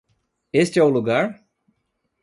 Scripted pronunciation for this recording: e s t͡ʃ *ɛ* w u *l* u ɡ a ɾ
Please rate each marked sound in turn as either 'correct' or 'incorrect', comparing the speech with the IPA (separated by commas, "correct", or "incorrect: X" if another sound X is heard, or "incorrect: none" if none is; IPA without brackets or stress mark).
correct, correct